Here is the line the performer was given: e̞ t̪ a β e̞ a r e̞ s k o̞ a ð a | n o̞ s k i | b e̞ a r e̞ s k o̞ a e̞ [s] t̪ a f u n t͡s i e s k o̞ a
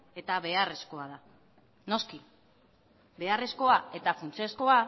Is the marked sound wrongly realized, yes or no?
yes